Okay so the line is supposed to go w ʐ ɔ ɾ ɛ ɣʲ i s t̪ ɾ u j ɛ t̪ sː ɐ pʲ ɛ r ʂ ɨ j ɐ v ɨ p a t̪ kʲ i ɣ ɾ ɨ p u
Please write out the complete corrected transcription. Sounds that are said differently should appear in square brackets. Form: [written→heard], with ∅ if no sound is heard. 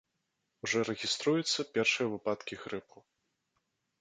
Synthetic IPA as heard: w ʐ ɔ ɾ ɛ ɣʲ i s t̪ ɾ u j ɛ t̪ sː ɐ pʲ ɛ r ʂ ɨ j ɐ v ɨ p a t̪ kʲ i ɣ ɾ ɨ p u